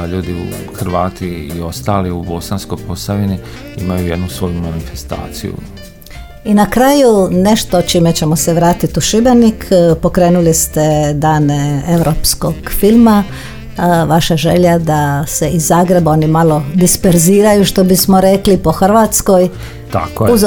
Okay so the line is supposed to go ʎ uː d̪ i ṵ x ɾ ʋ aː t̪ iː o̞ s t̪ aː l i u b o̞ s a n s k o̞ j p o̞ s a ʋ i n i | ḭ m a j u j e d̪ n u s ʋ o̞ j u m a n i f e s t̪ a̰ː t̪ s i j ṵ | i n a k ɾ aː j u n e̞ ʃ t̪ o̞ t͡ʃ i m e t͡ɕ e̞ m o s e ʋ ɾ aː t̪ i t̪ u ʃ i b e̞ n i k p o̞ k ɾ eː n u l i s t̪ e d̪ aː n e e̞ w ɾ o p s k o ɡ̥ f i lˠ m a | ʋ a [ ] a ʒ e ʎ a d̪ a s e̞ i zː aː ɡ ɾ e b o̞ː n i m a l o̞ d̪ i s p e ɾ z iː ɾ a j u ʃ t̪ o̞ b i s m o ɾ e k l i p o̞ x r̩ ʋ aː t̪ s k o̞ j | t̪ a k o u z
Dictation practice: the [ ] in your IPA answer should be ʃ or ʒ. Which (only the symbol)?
ʃ